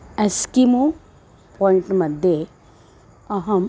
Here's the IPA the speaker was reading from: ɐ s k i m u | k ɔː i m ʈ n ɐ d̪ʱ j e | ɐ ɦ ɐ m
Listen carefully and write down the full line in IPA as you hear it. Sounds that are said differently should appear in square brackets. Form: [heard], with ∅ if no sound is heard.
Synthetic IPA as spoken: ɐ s k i m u | [p] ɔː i [ɳ] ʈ [m] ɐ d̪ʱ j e | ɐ ɦ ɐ m